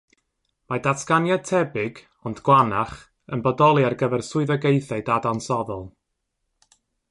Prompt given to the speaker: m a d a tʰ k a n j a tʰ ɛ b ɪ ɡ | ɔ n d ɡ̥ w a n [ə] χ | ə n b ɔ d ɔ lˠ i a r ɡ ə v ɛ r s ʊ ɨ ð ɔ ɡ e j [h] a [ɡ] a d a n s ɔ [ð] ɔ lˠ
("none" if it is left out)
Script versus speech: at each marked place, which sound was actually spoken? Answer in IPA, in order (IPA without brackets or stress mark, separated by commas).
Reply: a, θ, d, ð